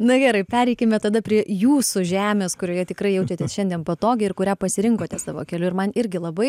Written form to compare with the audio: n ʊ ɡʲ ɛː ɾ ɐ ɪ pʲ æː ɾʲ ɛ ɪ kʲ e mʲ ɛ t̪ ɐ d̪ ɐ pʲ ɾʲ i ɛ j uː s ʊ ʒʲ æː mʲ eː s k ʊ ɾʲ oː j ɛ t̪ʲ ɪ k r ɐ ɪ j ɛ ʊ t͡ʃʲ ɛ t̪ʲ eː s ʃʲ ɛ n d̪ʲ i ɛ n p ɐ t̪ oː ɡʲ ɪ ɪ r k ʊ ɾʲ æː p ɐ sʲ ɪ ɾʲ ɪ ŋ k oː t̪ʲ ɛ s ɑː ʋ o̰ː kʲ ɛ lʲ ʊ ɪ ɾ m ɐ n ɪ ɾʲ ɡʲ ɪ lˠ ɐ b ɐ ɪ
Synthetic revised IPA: n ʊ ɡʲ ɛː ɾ ɐ ɪ pʲ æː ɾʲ ɛ ɪ kʲ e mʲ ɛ t̪ ɐ d̪ ɐ pʲ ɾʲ i ɛ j uː s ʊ ʒʲ æː mʲ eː s k ʊ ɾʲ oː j ɛ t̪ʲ ɪ k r ɐ ɪ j ɛ ʊ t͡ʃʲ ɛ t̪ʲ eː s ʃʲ ɛ n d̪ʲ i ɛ n p ɐ t̪ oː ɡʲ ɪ ɪ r k ʊ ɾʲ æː p ɐ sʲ ɪ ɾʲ ɪ ŋ k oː t̪ʲ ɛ s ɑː ʋ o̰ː kʲ ɛ lʲ ʊ ɪ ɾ m ɐ n ɪ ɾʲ ɡʲ ɪ lˠ ɐ b ɐ ɪ